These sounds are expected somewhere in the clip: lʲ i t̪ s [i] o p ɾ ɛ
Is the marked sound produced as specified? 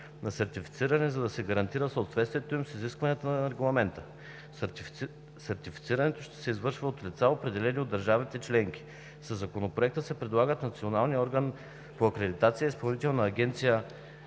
no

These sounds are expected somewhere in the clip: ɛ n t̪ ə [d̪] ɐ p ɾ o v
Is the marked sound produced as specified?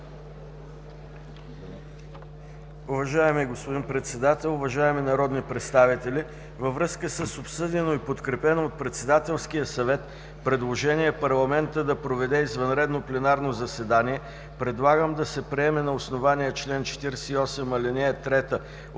yes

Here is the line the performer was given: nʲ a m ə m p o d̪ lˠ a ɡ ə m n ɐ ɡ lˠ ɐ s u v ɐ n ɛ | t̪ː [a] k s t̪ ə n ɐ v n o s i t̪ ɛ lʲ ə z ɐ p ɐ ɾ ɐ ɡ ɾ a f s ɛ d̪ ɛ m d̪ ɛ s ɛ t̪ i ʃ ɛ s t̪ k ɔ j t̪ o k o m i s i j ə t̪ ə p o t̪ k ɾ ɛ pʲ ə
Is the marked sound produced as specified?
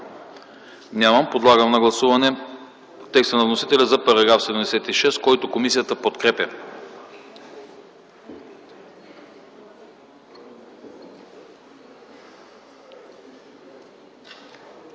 no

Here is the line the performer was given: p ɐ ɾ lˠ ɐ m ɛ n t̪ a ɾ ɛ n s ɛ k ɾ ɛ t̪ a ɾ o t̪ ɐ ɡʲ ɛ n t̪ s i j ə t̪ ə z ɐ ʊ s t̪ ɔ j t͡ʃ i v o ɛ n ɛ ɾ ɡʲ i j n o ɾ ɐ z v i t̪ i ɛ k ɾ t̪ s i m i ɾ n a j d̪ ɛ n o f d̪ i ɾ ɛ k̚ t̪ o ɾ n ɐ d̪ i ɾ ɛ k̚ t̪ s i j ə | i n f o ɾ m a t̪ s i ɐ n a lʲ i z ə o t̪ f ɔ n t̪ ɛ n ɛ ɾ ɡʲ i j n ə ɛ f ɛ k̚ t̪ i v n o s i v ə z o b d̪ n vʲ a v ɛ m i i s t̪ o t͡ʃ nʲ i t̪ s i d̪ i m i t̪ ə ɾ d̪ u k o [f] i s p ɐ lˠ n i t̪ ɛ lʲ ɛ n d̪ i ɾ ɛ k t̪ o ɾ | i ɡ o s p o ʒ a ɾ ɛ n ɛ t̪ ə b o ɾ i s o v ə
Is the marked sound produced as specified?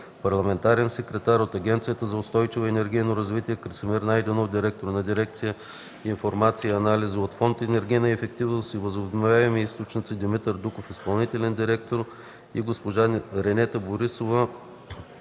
yes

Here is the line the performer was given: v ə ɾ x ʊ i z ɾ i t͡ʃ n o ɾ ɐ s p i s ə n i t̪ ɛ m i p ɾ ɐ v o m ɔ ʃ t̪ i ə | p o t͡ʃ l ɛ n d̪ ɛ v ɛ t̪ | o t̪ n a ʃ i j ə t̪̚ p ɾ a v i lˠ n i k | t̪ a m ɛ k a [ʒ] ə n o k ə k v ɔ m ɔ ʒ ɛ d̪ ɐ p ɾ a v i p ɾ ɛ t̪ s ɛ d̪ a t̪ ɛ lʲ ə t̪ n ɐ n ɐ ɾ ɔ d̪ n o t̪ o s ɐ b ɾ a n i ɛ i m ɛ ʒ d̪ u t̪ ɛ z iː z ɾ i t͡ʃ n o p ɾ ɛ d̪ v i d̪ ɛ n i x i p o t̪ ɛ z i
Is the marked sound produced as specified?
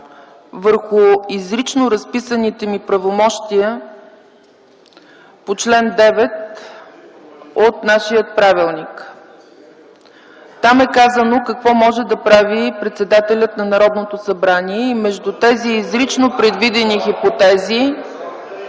no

